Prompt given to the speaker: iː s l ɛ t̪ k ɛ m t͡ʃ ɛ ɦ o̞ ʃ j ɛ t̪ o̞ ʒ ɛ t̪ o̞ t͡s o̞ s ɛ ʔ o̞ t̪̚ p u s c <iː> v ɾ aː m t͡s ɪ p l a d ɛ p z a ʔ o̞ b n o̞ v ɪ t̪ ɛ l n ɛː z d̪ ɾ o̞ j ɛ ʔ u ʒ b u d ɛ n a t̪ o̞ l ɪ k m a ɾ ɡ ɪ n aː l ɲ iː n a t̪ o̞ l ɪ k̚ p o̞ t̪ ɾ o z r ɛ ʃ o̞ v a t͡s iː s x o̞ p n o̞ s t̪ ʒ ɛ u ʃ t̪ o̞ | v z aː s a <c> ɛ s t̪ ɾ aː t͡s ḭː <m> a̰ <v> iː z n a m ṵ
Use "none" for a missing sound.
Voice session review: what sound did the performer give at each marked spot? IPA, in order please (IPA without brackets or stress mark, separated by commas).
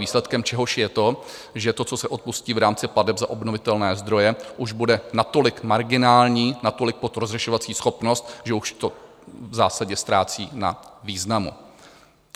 iː, ɟ, n, v